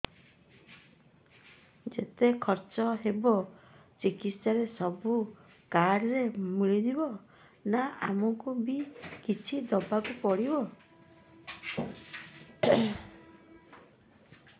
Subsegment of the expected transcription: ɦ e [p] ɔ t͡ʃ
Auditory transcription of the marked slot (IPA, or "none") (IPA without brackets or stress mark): b